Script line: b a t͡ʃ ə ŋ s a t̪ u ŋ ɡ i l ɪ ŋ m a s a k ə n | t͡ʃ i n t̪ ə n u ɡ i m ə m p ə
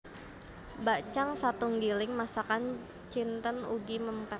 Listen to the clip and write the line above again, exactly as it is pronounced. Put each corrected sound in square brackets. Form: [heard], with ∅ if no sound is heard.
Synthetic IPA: b a t͡ʃ [a] ŋ s a t̪ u ŋ ɡ i l ɪ ŋ m a s a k [a] n | t͡ʃ i n t̪ ə n u ɡ i m ə m p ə